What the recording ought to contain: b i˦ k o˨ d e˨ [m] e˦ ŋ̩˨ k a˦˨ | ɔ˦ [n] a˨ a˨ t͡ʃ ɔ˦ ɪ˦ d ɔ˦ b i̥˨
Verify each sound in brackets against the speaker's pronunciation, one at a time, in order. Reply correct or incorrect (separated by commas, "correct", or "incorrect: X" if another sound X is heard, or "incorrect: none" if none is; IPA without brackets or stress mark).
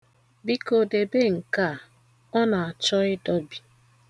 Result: incorrect: b, correct